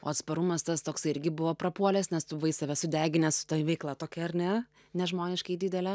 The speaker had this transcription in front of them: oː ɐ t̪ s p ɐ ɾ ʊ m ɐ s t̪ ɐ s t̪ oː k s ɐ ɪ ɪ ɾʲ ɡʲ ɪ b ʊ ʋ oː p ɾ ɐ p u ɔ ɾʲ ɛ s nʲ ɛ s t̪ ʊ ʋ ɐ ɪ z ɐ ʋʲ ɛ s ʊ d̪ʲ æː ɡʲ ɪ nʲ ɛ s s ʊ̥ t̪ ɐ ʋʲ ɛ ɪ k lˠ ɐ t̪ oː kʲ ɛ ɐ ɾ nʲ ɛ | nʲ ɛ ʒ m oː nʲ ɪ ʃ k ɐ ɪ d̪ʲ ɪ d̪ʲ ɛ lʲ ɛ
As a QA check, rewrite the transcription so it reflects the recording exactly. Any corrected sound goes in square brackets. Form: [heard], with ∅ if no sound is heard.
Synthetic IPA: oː ɐ t̪ s p ɐ ɾ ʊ m ɐ s t̪ ɐ s t̪ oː k s ɐ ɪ ɪ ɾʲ ɡʲ ɪ b ʊ ʋ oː p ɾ ɐ p u ɔ [lʲ] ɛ s nʲ ɛ s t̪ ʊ ʋ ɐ ɪ [s] ɐ ʋʲ ɛ s ʊ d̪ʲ æː ɡʲ ɪ nʲ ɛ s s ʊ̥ t̪ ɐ ʋʲ ɛ ɪ k lˠ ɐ t̪ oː kʲ ɛ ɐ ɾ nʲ ɛ | nʲ ɛ ʒ m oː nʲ ɪ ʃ k ɐ ɪ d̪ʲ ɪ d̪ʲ ɛ lʲ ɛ